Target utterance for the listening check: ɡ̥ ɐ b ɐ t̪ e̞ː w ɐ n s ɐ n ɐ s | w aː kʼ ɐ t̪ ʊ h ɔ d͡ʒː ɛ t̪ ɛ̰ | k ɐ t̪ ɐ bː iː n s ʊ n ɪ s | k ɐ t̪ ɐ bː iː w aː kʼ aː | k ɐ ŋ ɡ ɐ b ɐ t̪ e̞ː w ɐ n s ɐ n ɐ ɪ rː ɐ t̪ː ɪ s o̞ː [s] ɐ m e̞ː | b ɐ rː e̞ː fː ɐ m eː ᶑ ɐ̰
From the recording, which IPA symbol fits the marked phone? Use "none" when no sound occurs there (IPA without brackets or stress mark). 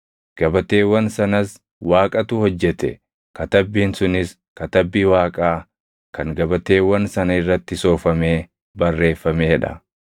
f